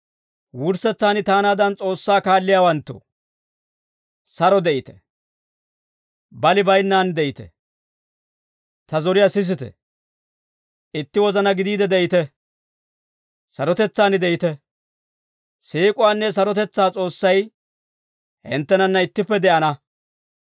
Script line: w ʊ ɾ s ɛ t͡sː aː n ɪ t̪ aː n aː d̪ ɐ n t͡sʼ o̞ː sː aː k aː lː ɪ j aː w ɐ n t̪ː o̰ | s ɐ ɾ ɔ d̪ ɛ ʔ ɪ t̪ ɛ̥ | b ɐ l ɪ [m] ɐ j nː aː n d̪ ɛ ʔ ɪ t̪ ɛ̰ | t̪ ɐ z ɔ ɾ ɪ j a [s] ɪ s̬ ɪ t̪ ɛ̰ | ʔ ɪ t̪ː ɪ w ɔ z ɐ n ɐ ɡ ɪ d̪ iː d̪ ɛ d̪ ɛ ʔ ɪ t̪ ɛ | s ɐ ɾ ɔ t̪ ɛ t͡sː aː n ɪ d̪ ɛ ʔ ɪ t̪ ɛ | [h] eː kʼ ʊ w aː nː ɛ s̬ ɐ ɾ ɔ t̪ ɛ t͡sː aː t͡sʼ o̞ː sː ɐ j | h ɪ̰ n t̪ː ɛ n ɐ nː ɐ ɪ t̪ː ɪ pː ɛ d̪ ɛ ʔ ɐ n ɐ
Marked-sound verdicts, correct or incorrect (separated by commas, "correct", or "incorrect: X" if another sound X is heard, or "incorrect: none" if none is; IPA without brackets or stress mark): incorrect: b, correct, incorrect: s